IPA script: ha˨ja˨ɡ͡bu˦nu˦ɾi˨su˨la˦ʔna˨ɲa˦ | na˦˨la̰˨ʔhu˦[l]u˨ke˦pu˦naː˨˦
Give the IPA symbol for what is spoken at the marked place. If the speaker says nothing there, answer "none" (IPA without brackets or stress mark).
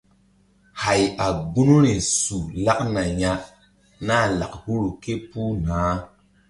ɾ